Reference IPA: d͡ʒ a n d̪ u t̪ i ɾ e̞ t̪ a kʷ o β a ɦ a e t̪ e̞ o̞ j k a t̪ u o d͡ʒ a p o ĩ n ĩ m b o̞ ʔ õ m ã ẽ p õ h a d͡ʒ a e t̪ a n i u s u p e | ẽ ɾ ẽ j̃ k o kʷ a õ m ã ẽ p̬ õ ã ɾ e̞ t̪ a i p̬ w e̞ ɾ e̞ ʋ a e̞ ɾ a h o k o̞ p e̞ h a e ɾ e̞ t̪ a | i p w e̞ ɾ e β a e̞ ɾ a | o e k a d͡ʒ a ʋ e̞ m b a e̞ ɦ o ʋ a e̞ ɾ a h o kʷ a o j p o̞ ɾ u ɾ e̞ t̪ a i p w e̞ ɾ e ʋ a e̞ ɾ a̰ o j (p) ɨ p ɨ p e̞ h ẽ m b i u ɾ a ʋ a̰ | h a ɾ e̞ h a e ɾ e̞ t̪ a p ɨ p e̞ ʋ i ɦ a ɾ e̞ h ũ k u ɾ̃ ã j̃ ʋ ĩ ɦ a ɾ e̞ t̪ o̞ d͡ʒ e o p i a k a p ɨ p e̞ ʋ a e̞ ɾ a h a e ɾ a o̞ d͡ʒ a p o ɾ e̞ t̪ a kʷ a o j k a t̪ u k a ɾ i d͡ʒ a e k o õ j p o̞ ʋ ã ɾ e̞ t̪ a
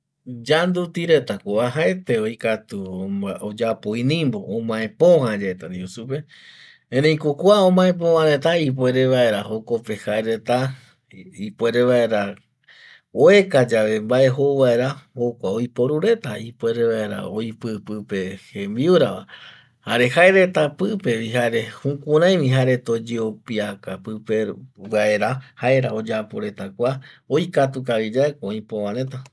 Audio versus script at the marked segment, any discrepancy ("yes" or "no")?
no